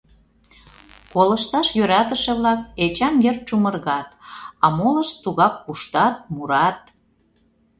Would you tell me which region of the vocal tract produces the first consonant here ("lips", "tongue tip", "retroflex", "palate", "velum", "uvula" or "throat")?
velum